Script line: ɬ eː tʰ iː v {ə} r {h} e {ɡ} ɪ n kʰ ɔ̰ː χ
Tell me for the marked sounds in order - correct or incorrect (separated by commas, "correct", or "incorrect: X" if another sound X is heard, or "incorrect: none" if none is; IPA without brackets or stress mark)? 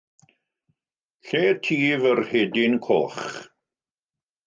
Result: correct, correct, incorrect: d